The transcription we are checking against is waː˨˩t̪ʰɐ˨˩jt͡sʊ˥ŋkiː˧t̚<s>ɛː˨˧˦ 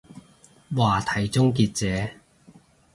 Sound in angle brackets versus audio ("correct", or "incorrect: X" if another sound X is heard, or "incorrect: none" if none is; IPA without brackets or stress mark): incorrect: t͡s